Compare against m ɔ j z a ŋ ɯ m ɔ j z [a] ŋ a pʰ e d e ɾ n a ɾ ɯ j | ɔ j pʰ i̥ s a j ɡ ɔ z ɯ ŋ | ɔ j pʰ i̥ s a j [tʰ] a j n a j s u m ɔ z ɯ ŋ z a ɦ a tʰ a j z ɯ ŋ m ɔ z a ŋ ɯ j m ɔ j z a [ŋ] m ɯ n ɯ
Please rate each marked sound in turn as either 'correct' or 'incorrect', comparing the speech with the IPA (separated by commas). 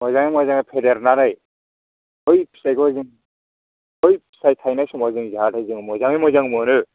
correct, correct, correct